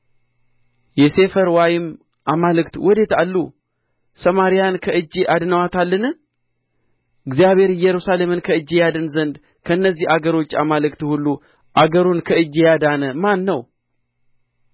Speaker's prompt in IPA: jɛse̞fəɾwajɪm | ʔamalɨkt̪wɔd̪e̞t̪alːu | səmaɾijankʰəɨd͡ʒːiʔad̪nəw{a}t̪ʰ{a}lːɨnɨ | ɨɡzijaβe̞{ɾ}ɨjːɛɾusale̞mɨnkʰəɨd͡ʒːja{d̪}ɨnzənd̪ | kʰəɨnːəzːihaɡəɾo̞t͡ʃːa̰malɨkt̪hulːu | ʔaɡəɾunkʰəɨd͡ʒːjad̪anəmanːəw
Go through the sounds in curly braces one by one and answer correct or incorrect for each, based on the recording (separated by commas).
correct, correct, correct, correct